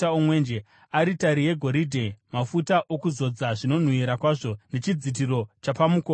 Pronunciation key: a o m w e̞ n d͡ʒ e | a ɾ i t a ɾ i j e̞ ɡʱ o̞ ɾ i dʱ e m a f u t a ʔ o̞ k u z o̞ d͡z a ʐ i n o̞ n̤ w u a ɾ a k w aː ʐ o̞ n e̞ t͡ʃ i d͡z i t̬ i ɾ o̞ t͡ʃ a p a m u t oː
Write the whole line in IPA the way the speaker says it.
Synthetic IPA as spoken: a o m w e̞ n d͡ʒ e | a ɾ i t a ɾ i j e̞ ɡʱ o̞ ɾ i dʱ e m a f u t a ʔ o̞ k u z o̞ d͡z a ʐ i n o̞ n̤ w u i ɾ a k w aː ʐ o̞ n e̞ t͡ʃ i d͡z i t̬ i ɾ o̞ t͡ʃ a p a m u k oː